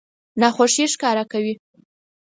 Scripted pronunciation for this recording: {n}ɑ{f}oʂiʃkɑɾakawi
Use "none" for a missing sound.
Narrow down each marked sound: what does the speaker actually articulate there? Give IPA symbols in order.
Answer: n, x

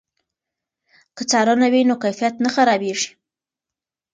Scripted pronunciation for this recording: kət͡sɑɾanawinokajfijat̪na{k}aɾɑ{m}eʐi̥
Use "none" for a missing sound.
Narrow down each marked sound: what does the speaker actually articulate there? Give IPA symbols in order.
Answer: x, b

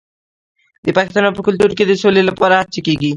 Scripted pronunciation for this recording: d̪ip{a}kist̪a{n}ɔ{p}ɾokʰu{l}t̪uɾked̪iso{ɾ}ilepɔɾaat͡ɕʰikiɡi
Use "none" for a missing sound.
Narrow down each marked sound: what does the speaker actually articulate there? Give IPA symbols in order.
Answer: a, n, p, l, l

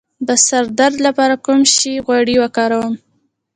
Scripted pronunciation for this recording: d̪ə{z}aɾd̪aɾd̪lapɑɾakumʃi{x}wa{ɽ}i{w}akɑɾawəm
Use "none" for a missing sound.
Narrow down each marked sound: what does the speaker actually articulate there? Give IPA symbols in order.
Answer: s, ɣ, ɽ, w

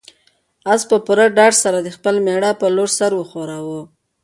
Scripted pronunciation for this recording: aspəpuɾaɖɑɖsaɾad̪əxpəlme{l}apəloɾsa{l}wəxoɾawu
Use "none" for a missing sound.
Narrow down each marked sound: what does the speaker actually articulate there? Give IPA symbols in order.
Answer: ɽ, ɾ

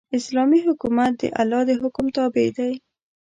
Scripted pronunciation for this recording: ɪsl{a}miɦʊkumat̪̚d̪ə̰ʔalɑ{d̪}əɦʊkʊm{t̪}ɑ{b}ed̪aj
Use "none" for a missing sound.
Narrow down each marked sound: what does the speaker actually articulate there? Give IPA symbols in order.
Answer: ɑ, d̪, t̪, b

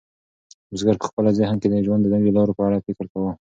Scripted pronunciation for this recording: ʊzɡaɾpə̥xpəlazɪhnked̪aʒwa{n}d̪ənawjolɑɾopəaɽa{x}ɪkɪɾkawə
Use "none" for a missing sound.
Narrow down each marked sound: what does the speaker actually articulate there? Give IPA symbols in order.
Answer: n, f

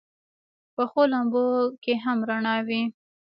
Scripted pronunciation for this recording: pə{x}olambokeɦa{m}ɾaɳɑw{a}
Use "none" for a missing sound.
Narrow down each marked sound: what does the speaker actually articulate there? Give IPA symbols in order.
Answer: x, m, i

